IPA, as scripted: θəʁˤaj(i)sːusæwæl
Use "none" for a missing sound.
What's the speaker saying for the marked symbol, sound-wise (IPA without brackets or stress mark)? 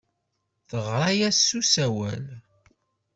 æ